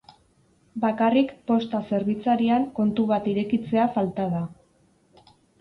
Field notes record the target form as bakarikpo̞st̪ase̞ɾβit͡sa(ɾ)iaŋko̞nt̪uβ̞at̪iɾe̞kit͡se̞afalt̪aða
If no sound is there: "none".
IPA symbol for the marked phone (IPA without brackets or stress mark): ɾ